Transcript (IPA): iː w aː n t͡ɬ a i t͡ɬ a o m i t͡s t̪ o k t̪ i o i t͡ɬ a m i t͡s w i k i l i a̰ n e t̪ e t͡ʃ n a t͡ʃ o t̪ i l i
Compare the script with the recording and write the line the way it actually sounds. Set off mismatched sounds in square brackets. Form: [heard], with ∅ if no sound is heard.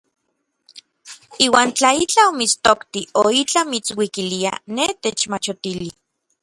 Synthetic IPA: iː w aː n t͡ɬ a i t͡ɬ a o m i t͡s t̪ o k t̪ i o i t͡ɬ a m i t͡s w i k i l i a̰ n e t̪ e t͡ʃ [m] a t͡ʃ o t̪ i l i